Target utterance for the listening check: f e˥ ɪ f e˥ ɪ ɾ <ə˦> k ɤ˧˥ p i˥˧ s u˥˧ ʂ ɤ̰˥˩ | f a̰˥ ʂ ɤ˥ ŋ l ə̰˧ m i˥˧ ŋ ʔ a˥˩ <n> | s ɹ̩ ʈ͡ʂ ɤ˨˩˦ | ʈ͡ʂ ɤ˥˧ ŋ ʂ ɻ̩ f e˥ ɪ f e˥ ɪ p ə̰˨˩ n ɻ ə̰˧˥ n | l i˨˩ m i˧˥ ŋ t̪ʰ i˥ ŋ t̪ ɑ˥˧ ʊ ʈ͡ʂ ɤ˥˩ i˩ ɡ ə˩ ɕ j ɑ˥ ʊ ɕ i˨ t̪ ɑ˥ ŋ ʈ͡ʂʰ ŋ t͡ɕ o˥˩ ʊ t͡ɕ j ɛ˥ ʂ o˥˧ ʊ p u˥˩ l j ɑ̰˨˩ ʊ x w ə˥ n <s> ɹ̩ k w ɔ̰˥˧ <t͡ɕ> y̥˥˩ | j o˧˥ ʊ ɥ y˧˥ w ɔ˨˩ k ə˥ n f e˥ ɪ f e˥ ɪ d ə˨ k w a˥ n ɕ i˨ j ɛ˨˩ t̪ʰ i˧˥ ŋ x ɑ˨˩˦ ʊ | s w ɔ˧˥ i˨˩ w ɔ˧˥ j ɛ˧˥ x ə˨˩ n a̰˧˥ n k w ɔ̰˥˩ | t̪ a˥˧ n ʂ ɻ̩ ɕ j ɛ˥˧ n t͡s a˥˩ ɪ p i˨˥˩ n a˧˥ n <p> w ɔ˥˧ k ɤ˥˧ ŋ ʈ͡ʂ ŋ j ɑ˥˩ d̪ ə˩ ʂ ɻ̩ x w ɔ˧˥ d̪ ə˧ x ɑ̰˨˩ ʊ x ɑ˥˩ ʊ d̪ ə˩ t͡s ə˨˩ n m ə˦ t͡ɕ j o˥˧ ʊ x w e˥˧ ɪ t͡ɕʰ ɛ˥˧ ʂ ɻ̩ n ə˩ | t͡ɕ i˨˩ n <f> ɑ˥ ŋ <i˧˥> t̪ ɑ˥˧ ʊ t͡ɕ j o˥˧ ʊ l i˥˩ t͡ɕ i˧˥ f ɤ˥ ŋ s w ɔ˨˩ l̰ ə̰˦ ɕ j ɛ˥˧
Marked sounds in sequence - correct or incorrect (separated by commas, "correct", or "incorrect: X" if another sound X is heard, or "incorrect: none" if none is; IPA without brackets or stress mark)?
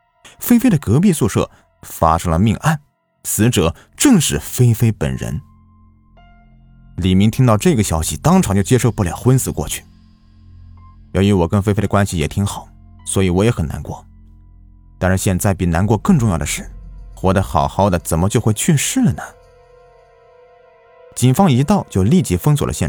incorrect: ə˨, correct, correct, incorrect: t͡ɕʰ, incorrect: k, correct, correct